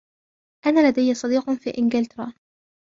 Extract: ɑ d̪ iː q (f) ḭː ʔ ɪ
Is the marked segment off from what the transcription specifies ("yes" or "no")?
no